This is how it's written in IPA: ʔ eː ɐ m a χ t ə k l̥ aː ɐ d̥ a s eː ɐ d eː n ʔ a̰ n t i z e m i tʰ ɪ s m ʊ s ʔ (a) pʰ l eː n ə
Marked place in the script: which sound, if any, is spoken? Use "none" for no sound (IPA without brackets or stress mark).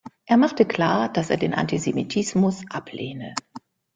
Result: a